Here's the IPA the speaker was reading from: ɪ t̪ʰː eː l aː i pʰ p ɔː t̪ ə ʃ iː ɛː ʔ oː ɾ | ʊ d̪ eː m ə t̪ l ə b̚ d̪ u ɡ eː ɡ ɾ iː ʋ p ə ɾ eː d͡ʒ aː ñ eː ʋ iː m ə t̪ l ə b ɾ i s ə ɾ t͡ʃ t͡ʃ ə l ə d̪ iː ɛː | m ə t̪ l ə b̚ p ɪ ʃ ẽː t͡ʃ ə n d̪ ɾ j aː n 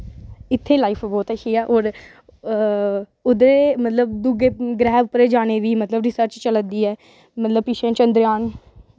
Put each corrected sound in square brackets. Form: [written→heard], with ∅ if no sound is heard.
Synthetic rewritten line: ɪ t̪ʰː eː l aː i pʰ [p→b] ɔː t̪ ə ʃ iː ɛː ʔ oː ɾ | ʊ d̪ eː m ə t̪ l ə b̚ d̪ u ɡ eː ɡ ɾ [iː→ɛː] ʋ p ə ɾ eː d͡ʒ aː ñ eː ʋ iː m ə t̪ l ə b ɾ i s ə ɾ t͡ʃ t͡ʃ ə l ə d̪ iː ɛː | m ə t̪ l ə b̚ p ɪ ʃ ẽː t͡ʃ ə n d̪ ɾ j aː n